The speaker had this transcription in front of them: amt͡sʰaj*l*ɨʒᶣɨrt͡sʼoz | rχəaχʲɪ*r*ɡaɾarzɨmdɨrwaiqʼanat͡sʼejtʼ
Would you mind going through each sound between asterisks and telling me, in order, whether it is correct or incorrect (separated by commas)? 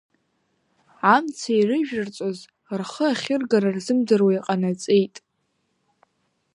incorrect, correct